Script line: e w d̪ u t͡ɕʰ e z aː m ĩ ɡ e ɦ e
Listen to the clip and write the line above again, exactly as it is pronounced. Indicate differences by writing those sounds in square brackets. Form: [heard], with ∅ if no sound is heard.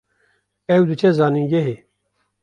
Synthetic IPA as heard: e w d̪ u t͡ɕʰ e z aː [n] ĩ ɡ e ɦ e